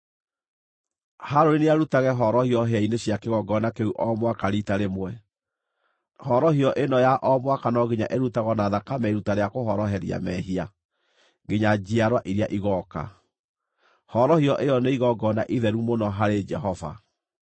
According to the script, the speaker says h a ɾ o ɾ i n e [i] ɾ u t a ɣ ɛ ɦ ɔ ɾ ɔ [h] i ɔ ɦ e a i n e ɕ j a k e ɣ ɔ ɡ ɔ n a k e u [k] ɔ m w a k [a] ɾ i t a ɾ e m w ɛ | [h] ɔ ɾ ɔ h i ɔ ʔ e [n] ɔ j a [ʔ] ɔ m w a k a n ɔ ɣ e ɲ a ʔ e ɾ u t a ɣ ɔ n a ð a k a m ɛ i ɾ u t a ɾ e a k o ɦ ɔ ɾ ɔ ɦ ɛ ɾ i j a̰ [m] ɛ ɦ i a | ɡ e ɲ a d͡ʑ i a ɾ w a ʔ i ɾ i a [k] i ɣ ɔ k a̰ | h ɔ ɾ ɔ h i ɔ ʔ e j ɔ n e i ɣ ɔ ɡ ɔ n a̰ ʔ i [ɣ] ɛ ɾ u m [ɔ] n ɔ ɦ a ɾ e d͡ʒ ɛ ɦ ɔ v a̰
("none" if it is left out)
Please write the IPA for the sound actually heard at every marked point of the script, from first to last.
a, h, ʔ, a, h, n, ʔ, m, ʔ, ð, o

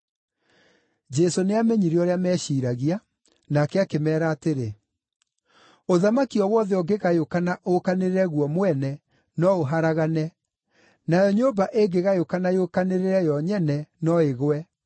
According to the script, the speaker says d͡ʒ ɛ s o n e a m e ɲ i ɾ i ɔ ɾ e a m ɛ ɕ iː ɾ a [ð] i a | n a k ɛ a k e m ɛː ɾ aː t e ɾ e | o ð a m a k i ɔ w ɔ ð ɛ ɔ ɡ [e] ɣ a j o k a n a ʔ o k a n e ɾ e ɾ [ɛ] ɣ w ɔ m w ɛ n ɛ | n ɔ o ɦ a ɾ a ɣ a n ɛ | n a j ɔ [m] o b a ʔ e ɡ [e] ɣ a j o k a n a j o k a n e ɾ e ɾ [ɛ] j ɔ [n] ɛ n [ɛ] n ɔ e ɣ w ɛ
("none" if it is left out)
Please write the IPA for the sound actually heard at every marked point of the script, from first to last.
ɣ, e, ɛ, ɲ, e, ɛ, ɲ, ɛ

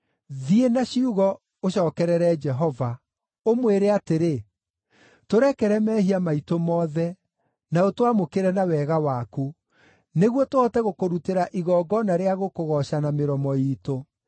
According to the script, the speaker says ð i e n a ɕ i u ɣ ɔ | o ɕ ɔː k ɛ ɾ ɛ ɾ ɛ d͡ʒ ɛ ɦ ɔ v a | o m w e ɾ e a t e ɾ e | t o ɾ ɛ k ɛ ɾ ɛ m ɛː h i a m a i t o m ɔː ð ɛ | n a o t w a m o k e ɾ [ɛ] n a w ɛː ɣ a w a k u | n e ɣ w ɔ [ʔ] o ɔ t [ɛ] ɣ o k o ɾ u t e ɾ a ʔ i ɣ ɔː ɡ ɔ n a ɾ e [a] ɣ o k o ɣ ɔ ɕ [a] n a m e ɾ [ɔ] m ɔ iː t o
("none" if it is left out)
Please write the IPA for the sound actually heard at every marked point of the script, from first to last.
ɛ, t, ɛ, a, a, ɔ

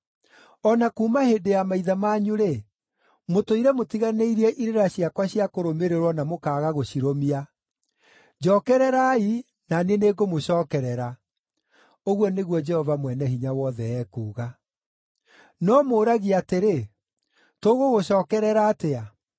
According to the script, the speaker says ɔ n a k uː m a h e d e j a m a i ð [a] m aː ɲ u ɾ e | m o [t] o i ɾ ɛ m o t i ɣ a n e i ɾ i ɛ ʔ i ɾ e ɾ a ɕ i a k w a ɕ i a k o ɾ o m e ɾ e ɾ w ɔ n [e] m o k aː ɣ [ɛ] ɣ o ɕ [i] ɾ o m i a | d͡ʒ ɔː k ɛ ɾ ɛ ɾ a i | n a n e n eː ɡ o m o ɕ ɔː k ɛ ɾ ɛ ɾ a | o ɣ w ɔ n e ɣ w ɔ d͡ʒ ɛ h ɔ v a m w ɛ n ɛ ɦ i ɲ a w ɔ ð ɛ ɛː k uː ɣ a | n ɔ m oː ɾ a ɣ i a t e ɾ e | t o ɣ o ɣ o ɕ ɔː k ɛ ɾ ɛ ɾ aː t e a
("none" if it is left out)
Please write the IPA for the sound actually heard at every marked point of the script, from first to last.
a, t, a, a, i

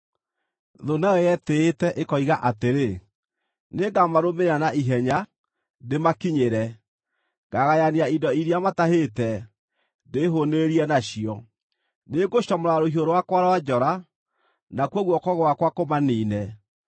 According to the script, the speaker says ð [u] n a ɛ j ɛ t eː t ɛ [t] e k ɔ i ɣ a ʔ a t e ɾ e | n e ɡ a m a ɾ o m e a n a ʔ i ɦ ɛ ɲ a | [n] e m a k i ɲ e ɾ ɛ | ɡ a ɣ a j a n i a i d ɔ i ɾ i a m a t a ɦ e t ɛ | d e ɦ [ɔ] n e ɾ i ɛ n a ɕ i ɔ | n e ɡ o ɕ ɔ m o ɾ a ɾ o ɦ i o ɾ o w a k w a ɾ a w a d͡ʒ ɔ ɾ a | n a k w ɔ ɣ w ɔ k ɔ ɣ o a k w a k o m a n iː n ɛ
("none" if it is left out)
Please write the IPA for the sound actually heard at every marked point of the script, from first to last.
o, ʔ, d, o

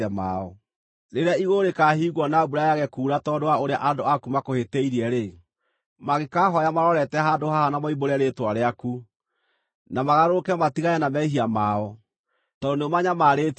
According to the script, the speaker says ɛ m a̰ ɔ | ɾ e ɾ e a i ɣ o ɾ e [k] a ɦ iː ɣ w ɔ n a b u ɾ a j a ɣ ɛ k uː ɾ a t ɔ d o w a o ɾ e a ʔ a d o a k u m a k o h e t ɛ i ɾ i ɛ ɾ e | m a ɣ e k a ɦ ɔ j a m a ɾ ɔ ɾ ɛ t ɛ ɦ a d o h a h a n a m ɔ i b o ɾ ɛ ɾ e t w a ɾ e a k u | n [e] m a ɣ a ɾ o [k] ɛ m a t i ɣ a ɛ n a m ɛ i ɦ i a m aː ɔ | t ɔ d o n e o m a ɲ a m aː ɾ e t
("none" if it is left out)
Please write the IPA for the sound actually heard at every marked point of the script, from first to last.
k, a, k

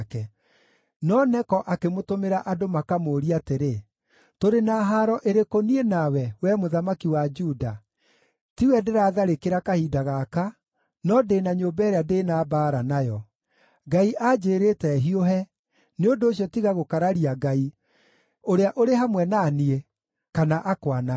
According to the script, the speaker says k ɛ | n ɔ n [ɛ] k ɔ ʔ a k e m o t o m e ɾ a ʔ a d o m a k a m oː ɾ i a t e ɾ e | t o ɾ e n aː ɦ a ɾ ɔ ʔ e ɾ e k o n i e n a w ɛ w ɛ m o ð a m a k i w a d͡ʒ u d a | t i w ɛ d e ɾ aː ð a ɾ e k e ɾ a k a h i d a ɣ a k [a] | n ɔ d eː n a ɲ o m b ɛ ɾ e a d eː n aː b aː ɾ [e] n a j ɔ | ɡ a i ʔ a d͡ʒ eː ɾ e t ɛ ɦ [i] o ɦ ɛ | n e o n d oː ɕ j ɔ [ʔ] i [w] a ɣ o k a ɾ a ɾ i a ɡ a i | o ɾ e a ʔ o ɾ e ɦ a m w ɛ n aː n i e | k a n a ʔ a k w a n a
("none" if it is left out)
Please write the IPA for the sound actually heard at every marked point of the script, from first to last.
ɛ, a, a, i, t, ɣ

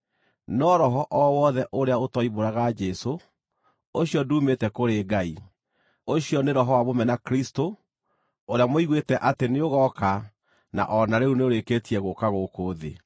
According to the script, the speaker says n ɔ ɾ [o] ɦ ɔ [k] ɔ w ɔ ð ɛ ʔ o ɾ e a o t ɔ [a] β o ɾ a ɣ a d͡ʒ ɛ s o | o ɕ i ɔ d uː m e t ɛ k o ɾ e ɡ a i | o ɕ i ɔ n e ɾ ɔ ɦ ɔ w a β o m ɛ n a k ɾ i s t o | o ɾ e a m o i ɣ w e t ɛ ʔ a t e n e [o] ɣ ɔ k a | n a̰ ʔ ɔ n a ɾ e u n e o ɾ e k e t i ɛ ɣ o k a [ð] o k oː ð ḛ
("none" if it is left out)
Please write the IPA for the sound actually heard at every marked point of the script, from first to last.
ɔ, ʔ, i, o, ɣ

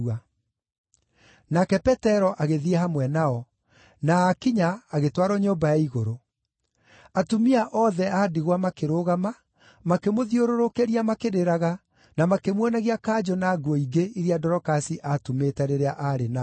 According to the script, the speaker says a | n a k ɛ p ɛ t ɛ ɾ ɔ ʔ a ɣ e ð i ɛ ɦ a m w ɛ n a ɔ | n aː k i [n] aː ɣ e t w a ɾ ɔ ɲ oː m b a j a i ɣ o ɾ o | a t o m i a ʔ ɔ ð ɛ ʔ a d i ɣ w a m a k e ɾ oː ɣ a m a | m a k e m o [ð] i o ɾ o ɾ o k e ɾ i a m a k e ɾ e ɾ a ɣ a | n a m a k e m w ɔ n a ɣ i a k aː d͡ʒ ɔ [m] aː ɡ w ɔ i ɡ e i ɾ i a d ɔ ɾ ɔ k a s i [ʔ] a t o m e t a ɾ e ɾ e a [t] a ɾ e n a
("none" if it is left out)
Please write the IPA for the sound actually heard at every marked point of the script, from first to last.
ɲ, ð, n, ʔ, ʔ

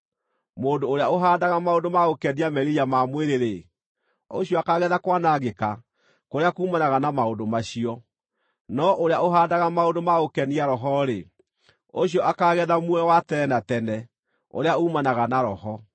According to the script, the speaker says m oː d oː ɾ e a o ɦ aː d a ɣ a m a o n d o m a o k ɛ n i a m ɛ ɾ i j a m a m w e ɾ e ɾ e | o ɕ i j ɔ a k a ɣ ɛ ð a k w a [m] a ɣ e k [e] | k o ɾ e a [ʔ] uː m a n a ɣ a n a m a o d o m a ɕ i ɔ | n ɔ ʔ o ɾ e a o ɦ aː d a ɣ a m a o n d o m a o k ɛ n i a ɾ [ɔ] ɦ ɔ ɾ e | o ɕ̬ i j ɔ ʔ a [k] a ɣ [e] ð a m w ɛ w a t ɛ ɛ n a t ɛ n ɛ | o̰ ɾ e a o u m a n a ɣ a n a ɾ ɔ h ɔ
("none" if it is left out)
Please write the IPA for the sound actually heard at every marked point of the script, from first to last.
n, a, k, ɔ, k, ɛ

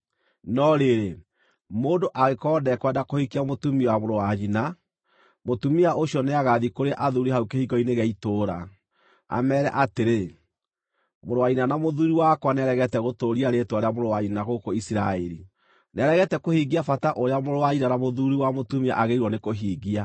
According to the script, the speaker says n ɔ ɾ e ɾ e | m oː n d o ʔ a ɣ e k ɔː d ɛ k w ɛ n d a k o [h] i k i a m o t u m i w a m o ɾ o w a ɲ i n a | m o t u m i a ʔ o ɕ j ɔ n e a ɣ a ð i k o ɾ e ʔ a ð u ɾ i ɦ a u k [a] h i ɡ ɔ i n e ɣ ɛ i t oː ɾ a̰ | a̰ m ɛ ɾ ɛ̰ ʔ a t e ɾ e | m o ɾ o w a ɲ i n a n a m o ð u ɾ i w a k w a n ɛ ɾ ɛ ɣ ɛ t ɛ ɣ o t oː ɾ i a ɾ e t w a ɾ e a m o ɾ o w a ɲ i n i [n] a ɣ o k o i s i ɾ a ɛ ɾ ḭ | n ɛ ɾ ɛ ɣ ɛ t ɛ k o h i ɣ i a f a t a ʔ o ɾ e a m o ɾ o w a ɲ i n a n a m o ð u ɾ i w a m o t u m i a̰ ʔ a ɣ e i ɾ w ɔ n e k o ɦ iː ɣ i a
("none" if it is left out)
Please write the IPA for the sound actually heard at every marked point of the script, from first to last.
h, e, n

